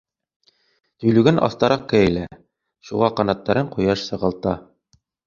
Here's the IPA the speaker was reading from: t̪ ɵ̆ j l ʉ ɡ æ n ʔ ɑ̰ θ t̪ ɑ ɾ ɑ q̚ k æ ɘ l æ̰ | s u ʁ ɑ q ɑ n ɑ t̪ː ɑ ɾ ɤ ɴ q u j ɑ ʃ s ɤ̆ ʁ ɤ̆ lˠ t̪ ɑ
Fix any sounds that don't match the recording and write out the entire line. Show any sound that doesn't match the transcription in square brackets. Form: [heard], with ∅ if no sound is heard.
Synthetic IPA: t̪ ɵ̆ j l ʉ ɡ æ n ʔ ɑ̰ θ t̪ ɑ ɾ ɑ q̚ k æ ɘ l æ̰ | [ʃ] u ʁ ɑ q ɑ n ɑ t̪ː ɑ ɾ ɤ ɴ q u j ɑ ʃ s ɤ̆ ʁ ɤ̆ lˠ t̪ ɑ